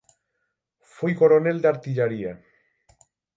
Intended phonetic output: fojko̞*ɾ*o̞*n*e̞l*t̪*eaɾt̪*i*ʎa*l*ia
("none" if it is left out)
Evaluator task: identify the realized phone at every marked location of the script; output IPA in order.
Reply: ɾ, n, d̪, i, ɾ

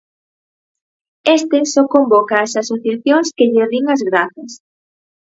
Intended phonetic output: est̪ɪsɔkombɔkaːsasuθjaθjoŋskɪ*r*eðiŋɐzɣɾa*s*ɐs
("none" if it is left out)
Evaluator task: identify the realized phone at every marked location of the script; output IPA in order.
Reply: ʎ, θ

